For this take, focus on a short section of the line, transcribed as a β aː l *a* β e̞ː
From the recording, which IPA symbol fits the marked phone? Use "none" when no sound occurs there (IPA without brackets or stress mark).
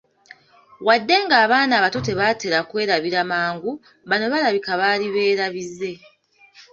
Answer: i